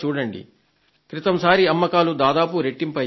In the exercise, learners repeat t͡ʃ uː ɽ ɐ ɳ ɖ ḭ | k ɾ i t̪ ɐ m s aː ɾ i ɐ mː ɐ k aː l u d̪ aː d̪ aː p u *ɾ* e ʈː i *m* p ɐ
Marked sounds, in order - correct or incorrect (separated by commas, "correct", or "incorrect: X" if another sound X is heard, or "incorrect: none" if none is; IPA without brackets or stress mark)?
correct, correct